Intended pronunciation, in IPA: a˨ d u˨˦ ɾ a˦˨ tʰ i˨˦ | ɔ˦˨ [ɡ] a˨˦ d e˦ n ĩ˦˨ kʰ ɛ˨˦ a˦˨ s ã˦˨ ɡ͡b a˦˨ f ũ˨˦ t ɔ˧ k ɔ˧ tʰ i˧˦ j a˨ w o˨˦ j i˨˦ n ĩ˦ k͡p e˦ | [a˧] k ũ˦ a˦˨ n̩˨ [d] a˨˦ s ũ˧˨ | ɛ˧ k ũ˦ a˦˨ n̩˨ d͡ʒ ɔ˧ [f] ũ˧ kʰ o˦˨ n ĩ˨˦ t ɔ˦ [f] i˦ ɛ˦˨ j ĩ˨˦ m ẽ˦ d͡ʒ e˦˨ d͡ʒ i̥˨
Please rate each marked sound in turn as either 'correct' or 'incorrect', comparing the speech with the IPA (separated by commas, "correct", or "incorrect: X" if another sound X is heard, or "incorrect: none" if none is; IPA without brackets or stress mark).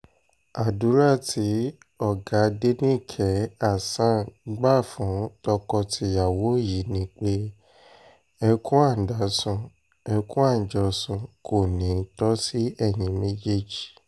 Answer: correct, incorrect: ɛ˧, correct, incorrect: s, incorrect: s